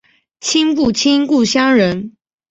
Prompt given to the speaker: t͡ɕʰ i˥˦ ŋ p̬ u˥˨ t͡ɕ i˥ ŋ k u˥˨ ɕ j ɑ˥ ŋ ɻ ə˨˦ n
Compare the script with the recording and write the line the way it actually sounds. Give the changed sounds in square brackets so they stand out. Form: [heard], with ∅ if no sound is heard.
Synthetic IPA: t͡ɕʰ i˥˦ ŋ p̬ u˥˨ [t͡ɕʰ] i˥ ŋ k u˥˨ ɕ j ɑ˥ ŋ ɻ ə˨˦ n

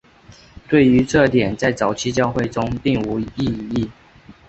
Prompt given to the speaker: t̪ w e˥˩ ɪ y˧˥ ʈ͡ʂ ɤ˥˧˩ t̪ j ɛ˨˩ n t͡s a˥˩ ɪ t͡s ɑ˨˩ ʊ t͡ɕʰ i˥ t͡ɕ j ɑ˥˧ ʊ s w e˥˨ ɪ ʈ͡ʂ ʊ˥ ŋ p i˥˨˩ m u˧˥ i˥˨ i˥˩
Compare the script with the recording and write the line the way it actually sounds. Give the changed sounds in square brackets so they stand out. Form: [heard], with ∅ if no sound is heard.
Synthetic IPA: t̪ w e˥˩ ɪ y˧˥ ʈ͡ʂ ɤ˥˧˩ t̪ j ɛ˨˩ n t͡s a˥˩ ɪ t͡s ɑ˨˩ ʊ t͡ɕʰ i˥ t͡ɕ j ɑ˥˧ ʊ [x] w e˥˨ ɪ ʈ͡ʂ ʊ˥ ŋ p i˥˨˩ [ŋ] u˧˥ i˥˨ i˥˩

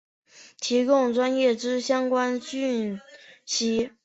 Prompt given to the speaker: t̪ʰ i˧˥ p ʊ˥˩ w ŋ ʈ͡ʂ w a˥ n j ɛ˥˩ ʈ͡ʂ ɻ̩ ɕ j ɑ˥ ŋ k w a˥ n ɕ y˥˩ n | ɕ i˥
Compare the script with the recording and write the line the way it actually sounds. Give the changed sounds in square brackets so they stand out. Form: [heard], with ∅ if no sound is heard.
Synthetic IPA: t̪ʰ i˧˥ [k] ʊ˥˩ [∅] ŋ ʈ͡ʂ w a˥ n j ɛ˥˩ ʈ͡ʂ ɻ̩ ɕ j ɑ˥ ŋ k w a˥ n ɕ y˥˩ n | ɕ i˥

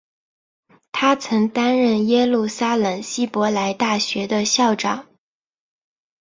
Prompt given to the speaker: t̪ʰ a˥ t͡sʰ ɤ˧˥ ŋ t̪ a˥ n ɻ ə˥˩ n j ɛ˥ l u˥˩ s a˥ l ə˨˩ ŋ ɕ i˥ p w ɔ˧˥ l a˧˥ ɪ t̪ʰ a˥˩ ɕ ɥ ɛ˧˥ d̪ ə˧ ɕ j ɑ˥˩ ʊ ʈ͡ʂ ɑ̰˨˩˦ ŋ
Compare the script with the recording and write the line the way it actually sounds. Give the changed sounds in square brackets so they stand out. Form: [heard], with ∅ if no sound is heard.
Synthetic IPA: t̪ʰ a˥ t͡sʰ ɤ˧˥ ŋ t̪ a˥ n ɻ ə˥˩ n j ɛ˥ l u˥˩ s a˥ l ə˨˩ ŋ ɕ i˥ p w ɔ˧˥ l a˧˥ ɪ [t̪] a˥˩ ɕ ɥ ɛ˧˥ d̪ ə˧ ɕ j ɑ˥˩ ʊ ʈ͡ʂ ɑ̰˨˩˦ ŋ

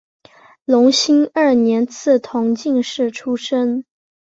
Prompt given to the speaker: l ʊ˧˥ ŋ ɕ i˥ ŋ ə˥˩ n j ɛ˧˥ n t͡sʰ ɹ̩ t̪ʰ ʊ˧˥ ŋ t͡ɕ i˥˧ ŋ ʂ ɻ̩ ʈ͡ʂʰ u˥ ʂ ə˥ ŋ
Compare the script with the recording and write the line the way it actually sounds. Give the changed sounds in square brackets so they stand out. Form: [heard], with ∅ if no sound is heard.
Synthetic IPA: l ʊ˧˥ ŋ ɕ i˥ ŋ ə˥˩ n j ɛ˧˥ n t͡sʰ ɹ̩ t̪ʰ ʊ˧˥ ŋ t͡ɕ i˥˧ ŋ ʂ ɻ̩ ʈ͡ʂʰ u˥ ʂ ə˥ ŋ

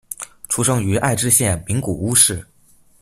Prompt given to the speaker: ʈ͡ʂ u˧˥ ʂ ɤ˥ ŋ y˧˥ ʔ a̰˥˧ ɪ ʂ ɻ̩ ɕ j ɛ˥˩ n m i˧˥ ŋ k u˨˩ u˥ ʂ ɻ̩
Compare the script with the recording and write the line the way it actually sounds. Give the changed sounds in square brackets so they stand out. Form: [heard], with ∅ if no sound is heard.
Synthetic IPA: [ʈ͡ʂʰ] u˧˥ ʂ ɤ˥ ŋ y˧˥ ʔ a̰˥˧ ɪ [ʈ͡ʂ] ɻ̩ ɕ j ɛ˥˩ n m i˧˥ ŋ k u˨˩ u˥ ʂ ɻ̩

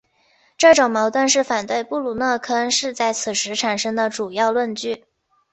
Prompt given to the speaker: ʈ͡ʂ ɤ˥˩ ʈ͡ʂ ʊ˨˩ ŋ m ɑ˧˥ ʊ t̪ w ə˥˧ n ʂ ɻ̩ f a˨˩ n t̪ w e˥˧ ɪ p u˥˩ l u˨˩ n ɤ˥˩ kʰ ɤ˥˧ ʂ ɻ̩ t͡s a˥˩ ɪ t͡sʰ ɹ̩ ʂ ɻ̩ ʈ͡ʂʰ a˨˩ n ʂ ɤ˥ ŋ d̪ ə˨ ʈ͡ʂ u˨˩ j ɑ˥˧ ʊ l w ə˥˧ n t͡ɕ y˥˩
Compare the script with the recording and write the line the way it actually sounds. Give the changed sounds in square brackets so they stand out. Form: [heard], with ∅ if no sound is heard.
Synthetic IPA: ʈ͡ʂ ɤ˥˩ ʈ͡ʂ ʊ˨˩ ŋ m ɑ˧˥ ʊ t̪ w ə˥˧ n ʂ ɻ̩ f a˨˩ n t̪ w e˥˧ ɪ p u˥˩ l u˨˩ n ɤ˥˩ kʰ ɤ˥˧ ʂ ɻ̩ t͡s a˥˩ ɪ t͡sʰ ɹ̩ ʂ ɻ̩ ʈ͡ʂʰ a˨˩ n ʂ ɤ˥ ŋ d̪ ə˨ ʈ͡ʂ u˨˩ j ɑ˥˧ ʊ l w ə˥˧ n t͡ɕ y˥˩

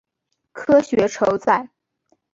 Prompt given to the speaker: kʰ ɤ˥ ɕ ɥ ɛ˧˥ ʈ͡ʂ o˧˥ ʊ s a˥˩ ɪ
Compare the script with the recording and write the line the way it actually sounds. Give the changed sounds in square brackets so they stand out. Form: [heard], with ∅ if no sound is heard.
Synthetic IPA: kʰ ɤ˥ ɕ ɥ ɛ˧˥ [ʈ͡ʂʰ] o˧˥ ʊ [t͡s] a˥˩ ɪ

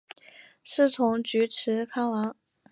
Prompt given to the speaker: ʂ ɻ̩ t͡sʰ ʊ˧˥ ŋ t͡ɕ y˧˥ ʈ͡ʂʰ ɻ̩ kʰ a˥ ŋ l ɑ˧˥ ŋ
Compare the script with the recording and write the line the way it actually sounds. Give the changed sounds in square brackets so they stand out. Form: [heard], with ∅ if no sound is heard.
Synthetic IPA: ʂ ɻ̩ t͡sʰ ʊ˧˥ ŋ t͡ɕ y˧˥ ʈ͡ʂʰ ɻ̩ kʰ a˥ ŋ l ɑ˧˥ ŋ

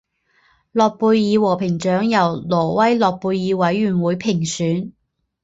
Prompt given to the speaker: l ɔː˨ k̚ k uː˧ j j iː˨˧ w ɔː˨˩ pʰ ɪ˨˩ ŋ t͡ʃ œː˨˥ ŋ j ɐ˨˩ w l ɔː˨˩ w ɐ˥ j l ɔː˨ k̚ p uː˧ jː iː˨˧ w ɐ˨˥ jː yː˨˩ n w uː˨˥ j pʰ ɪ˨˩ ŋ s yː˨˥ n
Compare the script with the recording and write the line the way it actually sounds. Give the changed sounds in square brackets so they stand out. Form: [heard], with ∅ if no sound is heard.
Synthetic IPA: l ɔː˨ k̚ [p] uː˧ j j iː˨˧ w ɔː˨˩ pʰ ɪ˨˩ ŋ t͡ʃ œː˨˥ ŋ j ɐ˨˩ w l ɔː˨˩ w ɐ˥ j l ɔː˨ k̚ p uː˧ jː iː˨˧ w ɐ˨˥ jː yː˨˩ n w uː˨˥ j pʰ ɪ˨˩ ŋ s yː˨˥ n

